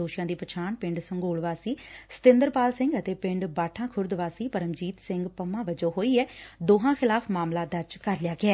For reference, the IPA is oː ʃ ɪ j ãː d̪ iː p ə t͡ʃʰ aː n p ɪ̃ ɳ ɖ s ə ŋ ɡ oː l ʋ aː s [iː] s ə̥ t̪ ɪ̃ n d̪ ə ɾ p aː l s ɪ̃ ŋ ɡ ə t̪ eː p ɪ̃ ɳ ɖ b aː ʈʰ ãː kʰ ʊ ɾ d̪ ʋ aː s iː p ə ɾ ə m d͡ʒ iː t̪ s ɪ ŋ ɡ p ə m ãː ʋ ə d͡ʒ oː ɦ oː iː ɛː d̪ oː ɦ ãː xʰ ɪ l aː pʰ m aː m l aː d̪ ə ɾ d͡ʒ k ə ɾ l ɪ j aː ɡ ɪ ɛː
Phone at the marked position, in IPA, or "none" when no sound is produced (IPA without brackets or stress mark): iː